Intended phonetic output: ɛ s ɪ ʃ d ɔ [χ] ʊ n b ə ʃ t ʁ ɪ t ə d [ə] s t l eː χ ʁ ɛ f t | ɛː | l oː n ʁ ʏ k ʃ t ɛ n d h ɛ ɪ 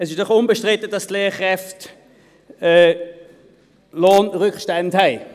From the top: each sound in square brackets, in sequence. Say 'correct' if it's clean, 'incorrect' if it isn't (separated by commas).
correct, incorrect